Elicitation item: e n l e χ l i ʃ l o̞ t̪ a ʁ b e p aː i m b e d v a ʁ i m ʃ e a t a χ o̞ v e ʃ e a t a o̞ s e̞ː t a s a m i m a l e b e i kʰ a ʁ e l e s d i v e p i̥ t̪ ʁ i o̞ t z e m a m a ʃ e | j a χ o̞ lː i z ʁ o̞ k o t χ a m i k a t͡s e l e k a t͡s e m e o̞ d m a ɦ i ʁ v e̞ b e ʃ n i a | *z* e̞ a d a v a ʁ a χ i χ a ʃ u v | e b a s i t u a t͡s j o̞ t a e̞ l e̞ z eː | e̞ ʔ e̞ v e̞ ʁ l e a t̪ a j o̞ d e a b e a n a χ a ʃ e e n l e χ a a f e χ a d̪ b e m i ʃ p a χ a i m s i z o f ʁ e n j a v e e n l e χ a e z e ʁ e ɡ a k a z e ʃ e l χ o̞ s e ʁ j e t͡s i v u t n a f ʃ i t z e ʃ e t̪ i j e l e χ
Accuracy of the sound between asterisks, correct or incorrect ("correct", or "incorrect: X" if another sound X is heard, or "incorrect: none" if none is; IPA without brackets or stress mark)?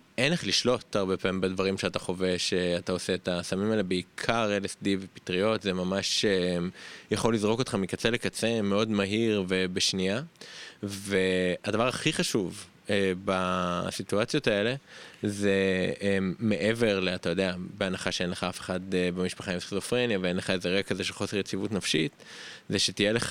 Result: incorrect: v